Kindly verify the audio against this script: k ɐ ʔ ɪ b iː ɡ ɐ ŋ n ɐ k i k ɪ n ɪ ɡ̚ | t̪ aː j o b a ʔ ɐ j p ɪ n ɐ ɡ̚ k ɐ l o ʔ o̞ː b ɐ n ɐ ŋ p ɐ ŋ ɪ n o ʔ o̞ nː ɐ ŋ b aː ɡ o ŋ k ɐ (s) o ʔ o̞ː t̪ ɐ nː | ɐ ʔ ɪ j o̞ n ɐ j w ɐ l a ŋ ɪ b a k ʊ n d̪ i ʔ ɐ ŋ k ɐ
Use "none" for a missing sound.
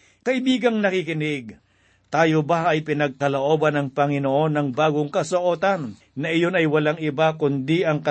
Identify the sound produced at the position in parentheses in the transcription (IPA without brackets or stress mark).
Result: s